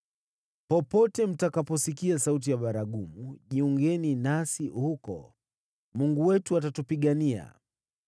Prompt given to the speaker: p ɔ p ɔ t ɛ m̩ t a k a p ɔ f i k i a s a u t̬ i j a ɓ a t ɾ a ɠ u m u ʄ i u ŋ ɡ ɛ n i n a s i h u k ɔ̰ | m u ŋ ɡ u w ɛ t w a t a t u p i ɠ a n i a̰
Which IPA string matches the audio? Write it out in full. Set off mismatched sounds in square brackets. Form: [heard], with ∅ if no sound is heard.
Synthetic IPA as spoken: p ɔ p ɔ t ɛ m̩ t a k a p ɔ [s] i k i a s a u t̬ i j a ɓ a [∅] ɾ a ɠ u m u ʄ i u ŋ ɡ ɛ n i n a s i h u k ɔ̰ | m u ŋ ɡ u w ɛ t [u] a t a t u p i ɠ a n i a̰